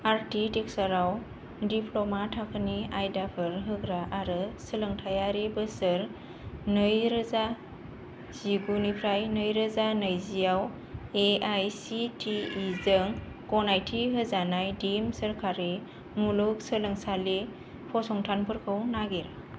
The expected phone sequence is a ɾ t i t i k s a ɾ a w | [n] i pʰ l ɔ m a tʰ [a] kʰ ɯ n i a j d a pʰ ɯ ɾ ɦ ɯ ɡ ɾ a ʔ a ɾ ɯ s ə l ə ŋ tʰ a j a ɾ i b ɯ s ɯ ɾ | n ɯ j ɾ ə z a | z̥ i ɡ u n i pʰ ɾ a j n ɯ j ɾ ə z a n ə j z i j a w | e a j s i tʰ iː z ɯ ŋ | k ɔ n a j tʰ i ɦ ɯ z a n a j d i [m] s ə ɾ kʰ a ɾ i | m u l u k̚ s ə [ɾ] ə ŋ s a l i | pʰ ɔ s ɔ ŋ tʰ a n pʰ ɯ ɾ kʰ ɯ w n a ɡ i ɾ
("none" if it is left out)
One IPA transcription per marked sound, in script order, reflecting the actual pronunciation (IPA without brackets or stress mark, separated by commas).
d, a, m, l